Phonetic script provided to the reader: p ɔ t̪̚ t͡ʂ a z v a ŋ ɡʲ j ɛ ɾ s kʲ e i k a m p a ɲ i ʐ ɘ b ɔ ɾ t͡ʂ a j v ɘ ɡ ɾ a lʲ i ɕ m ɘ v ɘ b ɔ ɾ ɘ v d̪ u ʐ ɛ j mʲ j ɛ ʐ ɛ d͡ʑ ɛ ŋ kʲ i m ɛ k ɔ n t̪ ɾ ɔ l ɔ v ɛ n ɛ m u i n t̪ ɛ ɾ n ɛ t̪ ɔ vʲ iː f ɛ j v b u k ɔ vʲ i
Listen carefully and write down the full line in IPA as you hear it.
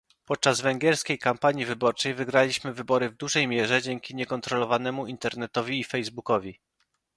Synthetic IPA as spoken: p ɔ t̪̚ t͡ʂ a z v ɛ ŋ ɡʲ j ɛ ɾ s kʲ e j k a m p a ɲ i v ɘ b ɔ ɾ t͡ʂ ɛ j v ɘ ɡ ɾ a lʲ i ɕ m ɘ v ɘ b ɔ ɾ ɘ v d̪ u ʐ ɛ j mʲ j ɛ ʐ ɛ d͡ʑ ɛ ŋ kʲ i ɲ ɛ k ɔ n t̪ ɾ ɔ l ɔ v a n ɛ m u i n t̪ ɛ ɾ n ɛ t̪ ɔ vʲ iː f ɛ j z b u k ɔ vʲ i

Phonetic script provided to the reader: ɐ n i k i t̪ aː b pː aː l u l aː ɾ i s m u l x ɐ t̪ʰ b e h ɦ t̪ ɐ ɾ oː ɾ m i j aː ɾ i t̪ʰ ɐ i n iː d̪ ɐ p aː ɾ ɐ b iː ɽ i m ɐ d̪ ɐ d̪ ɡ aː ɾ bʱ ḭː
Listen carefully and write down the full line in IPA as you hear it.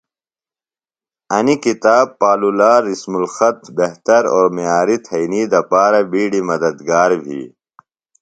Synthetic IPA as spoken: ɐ n i k i t̪ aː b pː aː l u l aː ɾ i s m u l x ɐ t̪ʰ b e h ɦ t̪ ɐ ɾ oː ɾ m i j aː ɾ i t̪ʰ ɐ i n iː d̪ ɐ p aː ɾ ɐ b iː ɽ i m ɐ d̪ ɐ d̪ ɡ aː ɾ bʱ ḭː

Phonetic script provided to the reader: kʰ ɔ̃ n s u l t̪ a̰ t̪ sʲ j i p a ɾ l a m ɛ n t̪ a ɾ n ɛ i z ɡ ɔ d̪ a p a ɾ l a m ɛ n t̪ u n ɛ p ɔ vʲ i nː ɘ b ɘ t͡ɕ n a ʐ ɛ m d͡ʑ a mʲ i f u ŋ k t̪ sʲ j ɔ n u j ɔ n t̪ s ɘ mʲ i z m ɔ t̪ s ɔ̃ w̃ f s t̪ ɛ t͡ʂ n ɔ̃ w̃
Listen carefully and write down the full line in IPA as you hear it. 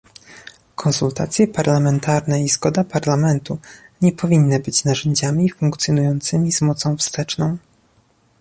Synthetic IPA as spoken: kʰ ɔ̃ n s u l t̪ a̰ t̪ sʲ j ɛ p a ɾ l a m ɛ n t̪ a ɾ n ɛ i z ɡ ɔ d̪ a p a ɾ l a m ɛ n t̪ u ɲ ɛ p ɔ vʲ i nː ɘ b ɘ t͡ɕ n a ʐ ɛ ɲ d͡ʑ a mʲ i f u ŋ k t̪ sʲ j ɔ n u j ɔ n t̪ s ɘ mʲ i z m ɔ t̪ s ɔ̃ w̃ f s t̪ ɛ t͡ʂ n ɔ̃ w̃

